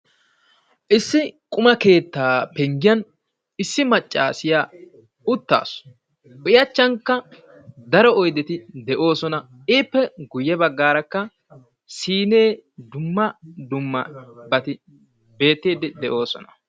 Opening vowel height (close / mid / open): close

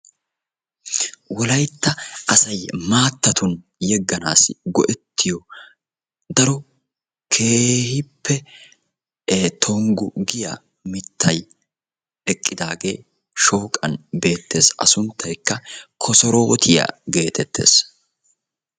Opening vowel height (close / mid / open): mid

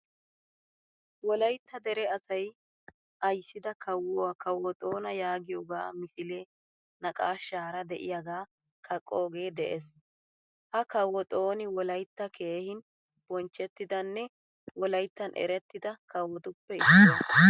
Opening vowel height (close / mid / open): mid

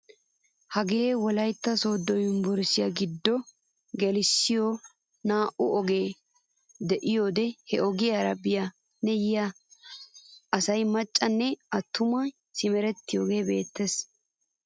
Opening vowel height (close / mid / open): open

